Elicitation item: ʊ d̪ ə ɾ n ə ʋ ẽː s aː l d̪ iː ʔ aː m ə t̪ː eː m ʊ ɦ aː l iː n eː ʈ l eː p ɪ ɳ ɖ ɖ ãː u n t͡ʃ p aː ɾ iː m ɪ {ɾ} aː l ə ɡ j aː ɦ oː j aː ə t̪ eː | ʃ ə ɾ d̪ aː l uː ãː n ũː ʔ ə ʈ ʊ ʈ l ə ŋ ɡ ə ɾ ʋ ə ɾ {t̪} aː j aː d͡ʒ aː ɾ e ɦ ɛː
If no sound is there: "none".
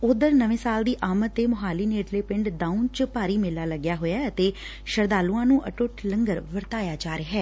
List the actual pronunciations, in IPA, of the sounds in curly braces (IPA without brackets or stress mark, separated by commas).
l, t̪